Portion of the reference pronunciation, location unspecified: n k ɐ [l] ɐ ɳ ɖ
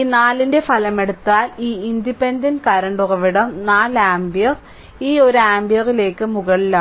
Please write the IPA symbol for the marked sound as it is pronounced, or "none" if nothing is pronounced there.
ɾ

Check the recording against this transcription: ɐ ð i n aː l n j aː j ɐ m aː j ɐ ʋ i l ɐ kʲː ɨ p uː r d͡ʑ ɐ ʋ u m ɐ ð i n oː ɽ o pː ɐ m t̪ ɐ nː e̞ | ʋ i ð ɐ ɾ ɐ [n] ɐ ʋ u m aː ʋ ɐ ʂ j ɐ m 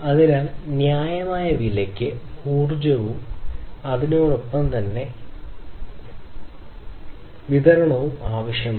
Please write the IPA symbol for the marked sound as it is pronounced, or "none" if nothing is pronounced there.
ɳ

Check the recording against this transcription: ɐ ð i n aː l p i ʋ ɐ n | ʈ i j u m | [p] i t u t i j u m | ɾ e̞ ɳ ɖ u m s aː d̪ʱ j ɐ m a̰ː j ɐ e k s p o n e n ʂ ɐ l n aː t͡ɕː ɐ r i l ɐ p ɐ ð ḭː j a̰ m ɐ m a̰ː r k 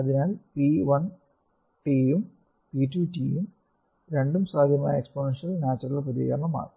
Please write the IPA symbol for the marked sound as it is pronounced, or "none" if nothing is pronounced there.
p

